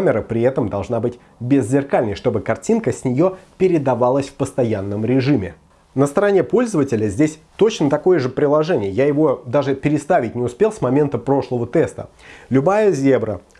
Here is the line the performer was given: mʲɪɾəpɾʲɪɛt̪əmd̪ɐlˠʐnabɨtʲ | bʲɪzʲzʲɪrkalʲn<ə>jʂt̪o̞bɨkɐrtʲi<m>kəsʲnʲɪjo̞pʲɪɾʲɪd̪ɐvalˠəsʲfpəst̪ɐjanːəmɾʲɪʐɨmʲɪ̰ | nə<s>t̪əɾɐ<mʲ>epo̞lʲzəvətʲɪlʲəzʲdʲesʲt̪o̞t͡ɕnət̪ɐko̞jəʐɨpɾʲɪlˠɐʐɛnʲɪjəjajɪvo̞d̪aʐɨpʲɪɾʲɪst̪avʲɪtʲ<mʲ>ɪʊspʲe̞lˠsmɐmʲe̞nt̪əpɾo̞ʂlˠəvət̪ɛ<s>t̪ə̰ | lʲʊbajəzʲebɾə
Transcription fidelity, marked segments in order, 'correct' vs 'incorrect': correct, incorrect: n, correct, incorrect: nʲ, incorrect: nʲ, correct

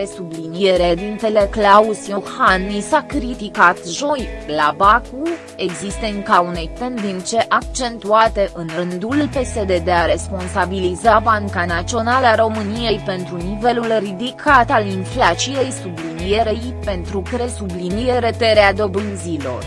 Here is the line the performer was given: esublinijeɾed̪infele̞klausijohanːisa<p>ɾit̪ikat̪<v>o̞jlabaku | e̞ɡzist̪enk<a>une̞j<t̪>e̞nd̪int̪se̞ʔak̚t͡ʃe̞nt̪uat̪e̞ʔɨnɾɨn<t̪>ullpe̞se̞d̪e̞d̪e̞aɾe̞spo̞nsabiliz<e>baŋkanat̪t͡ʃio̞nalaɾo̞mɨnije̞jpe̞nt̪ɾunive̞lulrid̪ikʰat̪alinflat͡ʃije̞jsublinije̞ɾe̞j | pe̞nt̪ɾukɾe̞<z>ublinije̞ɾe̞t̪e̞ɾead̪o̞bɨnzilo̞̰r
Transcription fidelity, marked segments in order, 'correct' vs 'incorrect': incorrect: k, incorrect: ʒ, correct, correct, incorrect: d̪, incorrect: a, incorrect: s

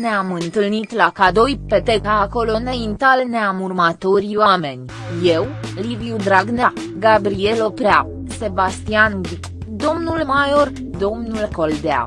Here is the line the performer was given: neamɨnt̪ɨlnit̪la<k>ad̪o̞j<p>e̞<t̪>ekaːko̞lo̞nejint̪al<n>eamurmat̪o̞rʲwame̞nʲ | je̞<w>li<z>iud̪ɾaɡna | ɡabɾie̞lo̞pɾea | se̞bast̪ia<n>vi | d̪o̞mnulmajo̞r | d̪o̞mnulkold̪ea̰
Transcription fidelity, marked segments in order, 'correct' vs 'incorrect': correct, correct, correct, correct, correct, incorrect: v, correct

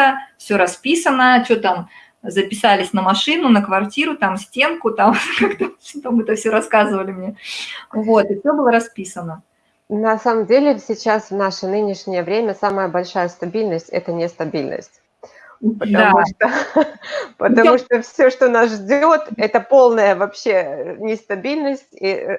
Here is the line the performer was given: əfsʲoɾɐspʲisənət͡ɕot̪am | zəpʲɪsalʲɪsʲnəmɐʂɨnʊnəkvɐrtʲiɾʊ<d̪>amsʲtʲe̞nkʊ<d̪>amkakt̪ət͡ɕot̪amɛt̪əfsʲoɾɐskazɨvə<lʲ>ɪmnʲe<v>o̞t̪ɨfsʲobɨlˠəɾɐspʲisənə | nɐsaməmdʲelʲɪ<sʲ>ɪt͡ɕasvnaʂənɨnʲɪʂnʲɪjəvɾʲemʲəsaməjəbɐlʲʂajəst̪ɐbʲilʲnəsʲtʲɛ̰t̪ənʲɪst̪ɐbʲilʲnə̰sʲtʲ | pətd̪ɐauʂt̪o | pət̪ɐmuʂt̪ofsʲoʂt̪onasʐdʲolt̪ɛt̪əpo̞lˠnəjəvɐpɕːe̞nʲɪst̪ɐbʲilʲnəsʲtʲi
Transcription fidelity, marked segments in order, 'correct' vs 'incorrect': incorrect: t̪, incorrect: t̪, correct, correct, correct

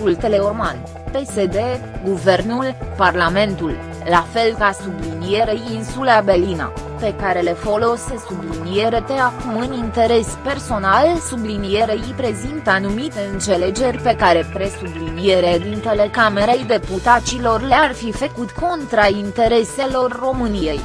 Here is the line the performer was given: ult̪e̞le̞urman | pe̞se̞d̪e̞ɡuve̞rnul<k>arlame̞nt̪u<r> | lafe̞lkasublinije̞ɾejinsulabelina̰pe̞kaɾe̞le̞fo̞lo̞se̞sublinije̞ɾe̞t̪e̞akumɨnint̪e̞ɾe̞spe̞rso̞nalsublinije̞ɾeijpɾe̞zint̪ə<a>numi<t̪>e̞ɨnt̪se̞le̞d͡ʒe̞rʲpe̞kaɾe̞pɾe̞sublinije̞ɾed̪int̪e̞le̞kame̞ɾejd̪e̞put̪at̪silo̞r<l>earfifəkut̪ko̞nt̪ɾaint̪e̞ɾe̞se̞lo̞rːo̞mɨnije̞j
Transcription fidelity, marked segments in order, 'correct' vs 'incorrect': incorrect: p, incorrect: l, correct, correct, correct

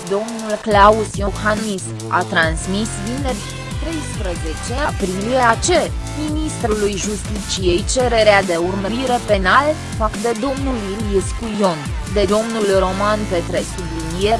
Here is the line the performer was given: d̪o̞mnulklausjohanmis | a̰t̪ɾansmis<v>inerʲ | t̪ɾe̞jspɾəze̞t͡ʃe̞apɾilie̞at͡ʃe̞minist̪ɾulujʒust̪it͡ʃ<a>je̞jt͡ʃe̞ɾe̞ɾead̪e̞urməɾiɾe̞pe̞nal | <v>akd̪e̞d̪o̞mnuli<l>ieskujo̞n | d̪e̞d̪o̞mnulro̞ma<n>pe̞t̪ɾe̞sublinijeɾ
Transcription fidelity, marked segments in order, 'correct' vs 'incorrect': correct, incorrect: i, incorrect: f, correct, correct

